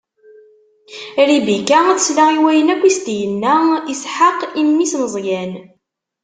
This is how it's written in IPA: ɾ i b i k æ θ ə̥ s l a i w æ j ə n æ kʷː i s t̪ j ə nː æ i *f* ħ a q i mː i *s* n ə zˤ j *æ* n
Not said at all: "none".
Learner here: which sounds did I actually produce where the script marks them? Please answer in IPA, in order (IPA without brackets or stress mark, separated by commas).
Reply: s, s, æ